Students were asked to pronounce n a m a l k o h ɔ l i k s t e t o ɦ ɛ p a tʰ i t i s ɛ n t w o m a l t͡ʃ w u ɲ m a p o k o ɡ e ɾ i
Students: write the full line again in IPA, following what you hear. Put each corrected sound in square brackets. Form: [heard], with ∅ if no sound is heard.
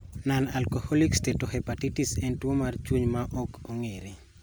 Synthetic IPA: n a [n] a l k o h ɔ l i k s t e t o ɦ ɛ p a [t] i t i s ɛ n t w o m a [r] t͡ʃ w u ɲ m a [ʔ] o k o [ŋ] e ɾ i